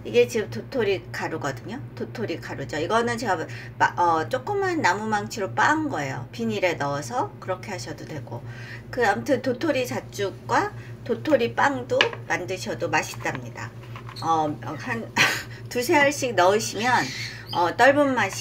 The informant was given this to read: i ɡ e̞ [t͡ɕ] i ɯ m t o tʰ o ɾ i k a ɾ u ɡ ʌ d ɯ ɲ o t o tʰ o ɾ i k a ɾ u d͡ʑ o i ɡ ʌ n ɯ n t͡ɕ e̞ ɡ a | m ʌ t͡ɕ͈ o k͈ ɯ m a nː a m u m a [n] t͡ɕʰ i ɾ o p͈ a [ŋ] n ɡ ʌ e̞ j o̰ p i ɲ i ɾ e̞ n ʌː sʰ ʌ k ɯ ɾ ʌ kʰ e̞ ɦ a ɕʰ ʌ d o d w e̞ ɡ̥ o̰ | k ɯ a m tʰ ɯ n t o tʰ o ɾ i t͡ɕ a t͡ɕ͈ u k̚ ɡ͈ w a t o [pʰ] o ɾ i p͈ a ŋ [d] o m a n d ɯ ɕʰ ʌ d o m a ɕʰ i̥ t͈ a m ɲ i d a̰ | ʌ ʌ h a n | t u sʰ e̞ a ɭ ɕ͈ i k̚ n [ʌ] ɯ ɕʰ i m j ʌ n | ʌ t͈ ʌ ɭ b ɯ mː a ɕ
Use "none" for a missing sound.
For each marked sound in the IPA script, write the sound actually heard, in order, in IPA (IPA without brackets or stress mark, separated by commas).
t͡ɕ, ŋ, ŋ, tʰ, d, ʌ